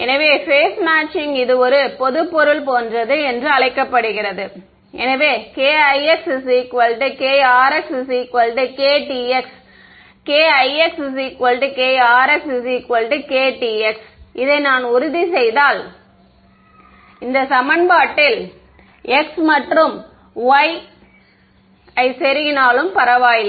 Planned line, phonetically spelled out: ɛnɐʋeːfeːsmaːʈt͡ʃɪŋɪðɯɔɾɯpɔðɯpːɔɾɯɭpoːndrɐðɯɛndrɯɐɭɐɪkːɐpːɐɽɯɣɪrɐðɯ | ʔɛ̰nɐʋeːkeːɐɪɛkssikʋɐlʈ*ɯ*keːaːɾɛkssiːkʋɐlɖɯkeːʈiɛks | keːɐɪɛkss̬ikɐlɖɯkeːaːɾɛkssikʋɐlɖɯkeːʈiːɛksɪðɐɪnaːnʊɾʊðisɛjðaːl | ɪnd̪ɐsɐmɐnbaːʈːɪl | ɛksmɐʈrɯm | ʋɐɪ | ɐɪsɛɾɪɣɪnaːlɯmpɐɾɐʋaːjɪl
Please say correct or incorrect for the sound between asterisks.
correct